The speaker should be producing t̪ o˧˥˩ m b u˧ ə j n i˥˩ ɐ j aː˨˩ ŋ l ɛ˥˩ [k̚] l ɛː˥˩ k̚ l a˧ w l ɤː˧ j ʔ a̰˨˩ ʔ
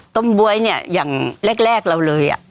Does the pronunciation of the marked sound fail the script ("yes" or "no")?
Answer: no